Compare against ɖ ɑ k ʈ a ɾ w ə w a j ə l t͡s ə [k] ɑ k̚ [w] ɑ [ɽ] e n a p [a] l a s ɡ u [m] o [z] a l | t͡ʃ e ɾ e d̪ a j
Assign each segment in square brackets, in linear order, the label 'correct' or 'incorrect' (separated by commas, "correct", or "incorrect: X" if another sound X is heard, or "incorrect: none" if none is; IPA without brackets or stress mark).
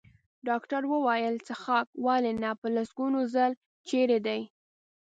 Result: incorrect: x, correct, incorrect: l, incorrect: ə, incorrect: n, correct